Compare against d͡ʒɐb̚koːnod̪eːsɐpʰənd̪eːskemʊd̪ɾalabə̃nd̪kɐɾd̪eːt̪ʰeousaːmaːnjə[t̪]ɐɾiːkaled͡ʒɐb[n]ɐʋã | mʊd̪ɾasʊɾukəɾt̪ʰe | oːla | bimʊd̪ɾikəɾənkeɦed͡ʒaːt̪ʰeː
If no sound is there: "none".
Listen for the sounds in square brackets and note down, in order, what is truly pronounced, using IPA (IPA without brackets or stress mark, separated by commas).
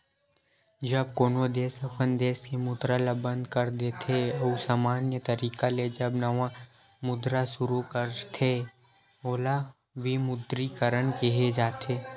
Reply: t̪, n